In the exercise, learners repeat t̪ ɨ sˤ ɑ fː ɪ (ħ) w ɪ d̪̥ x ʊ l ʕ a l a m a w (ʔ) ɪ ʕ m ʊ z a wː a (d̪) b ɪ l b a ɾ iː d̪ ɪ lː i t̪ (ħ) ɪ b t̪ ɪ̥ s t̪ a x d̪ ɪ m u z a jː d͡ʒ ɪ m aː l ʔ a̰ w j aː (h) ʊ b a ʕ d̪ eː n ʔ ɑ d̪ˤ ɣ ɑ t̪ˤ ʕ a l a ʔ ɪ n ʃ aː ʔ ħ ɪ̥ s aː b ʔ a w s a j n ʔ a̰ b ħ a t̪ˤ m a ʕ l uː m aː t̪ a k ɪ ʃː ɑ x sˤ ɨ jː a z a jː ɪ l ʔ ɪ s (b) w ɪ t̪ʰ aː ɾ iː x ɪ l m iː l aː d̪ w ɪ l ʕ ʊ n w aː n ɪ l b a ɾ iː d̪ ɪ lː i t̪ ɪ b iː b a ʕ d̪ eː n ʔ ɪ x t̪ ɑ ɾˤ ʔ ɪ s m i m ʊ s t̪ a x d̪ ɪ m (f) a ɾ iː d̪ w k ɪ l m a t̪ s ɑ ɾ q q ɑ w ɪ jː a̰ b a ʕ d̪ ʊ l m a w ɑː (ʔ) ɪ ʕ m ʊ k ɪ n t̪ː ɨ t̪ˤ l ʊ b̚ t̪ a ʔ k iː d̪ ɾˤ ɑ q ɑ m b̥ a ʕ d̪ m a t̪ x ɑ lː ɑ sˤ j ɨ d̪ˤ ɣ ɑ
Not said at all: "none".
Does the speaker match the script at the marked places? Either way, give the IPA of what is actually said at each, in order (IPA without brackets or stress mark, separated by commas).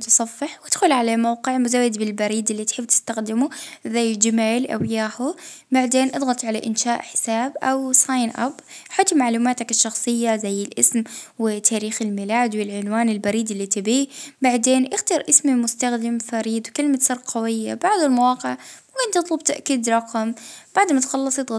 ħ, q, d̪, ħ, h, m, f, q